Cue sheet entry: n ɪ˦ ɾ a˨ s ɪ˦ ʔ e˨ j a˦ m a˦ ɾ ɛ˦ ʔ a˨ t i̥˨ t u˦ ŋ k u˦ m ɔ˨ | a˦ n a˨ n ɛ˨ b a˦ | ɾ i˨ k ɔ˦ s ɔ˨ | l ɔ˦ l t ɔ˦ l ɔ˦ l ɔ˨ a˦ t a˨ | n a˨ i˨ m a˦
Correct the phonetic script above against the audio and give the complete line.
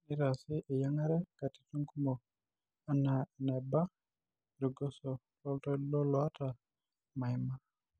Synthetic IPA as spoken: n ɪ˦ ɾ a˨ s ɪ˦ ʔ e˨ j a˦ ŋ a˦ ɾ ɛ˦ k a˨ t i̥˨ t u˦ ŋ k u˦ m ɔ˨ | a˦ n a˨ n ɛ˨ b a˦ | ɾ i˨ ɡ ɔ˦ s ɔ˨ | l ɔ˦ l t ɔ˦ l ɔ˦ l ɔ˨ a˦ t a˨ | m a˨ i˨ m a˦